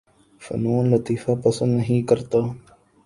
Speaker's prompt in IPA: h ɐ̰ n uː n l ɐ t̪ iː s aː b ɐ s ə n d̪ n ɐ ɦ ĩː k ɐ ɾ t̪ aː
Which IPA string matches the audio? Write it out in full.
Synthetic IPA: f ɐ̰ n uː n l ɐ t̪ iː f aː p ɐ s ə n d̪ n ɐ ɦ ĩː k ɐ ɾ t̪ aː